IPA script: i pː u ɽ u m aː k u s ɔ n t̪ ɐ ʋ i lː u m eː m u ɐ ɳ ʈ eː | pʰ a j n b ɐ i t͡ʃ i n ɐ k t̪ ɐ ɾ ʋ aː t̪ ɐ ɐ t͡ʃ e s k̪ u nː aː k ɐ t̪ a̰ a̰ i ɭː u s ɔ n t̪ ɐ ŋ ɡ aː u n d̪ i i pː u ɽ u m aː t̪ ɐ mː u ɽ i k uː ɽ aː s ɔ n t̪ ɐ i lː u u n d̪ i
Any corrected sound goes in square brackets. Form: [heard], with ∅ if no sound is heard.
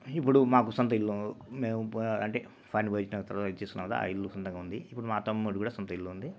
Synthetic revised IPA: i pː u ɽ u m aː k u s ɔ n t̪ ɐ [∅] i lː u m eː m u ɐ ɳ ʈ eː | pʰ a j n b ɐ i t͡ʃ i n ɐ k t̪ ɐ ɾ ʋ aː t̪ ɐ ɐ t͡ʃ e s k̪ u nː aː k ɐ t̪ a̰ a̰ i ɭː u s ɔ n t̪ ɐ ŋ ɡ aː u n d̪ i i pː u ɽ u m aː t̪ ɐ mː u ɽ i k uː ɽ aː s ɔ n t̪ ɐ i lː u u n d̪ i